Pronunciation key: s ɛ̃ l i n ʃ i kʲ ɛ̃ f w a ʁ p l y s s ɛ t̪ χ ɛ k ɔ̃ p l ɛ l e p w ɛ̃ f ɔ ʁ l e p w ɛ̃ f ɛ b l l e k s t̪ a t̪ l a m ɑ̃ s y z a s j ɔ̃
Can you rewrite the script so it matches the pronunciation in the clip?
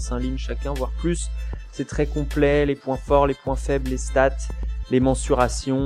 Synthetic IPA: s ɛ̃ l i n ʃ a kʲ ɛ̃ v w a ʁ p l y s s ɛ t̪ χ ɛ k ɔ̃ p l ɛ l e p w ɛ̃ f ɔ ʁ l e p w ɛ̃ f ɛ b l l e s t̪ a t̪ l e m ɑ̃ s y ʁ a s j ɔ̃